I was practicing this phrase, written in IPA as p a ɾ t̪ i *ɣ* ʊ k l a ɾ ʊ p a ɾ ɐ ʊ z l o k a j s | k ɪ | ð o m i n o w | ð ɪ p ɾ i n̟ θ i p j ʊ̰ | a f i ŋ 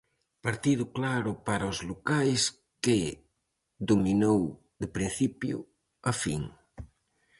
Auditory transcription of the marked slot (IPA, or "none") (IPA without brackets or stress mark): ð